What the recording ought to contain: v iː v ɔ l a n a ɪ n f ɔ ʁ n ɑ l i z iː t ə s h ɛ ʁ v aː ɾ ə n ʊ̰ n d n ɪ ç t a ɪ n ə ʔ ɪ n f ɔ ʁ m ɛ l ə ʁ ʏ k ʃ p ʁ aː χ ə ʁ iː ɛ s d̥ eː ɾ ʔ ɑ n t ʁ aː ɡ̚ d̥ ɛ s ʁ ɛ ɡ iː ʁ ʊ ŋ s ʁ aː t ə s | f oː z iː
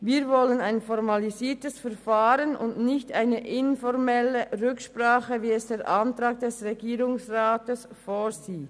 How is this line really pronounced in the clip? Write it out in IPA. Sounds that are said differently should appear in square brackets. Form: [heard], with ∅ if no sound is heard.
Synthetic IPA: v iː v ɔ l [ə] n a ɪ n f ɔ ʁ [m] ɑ l i z iː t ə s [f] ɛ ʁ [f] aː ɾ ə n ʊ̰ n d n ɪ ç t a ɪ n ə ʔ ɪ n f ɔ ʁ m ɛ l ə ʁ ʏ k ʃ p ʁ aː χ ə [v] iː ɛ s d̥ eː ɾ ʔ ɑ n t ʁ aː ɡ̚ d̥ ɛ s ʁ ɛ ɡ iː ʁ ʊ ŋ s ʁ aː t ə s | f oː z iː